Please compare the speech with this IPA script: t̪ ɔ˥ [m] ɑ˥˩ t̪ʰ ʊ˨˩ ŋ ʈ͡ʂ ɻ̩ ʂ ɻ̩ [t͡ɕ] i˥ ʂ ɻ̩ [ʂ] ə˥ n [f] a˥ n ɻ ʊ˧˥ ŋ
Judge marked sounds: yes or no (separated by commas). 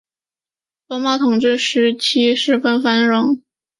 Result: yes, no, no, yes